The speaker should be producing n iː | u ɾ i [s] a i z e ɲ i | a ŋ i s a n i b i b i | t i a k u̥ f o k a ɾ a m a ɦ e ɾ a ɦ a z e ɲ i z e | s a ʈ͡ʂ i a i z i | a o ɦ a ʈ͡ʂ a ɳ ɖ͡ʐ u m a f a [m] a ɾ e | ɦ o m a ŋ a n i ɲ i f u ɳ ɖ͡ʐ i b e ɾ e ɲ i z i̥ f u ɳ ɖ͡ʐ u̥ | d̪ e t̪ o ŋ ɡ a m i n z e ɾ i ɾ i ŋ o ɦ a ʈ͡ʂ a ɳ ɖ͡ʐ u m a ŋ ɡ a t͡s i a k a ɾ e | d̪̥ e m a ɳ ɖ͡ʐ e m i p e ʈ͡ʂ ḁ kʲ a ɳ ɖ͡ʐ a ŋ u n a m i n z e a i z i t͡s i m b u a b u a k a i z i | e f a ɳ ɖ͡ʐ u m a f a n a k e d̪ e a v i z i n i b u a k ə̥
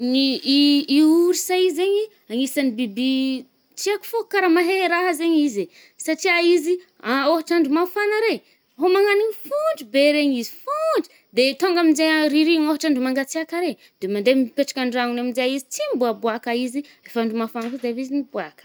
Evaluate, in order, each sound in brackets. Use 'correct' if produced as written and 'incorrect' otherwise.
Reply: correct, incorrect

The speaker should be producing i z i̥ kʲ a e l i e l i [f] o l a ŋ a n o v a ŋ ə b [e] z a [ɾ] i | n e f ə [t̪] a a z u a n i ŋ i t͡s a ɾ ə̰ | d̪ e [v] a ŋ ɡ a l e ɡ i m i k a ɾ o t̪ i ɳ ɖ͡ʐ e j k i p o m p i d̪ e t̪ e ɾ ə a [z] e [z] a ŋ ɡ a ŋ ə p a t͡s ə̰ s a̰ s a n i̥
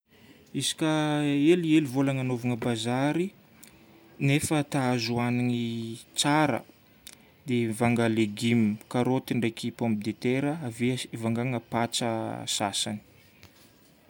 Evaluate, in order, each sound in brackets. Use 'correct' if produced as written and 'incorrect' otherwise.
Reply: incorrect, incorrect, correct, correct, correct, incorrect, incorrect

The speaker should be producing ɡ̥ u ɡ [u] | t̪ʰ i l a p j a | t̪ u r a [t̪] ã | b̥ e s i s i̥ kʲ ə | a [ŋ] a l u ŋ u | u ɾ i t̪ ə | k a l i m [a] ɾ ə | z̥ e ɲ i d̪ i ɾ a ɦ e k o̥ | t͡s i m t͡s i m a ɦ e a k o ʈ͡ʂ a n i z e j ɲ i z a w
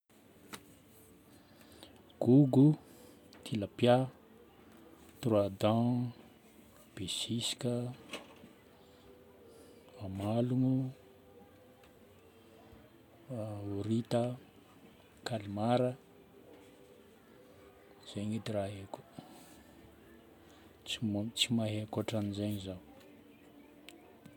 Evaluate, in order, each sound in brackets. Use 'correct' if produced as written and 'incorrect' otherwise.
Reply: correct, incorrect, incorrect, correct

